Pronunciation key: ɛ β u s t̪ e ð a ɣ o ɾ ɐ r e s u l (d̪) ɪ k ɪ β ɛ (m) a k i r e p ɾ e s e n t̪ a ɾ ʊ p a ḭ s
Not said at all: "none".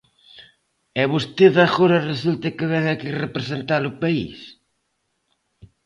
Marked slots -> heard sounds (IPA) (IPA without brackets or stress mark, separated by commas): t̪, ŋ